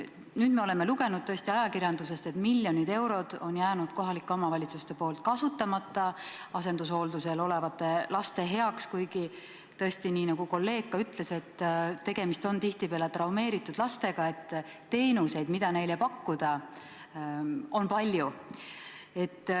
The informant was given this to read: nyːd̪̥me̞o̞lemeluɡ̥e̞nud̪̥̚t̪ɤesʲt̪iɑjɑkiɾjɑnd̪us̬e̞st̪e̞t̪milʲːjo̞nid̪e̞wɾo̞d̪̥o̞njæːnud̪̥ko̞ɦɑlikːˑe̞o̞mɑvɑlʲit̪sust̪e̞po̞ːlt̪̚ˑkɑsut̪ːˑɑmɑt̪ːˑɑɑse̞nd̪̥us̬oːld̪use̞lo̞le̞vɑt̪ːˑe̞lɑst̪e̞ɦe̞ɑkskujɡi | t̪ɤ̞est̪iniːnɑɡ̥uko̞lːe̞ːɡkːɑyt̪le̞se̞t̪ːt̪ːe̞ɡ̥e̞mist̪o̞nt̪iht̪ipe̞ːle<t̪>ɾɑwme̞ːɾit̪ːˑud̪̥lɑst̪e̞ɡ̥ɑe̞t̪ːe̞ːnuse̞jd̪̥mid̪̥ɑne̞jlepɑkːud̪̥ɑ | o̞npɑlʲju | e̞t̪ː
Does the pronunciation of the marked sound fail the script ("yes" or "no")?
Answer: no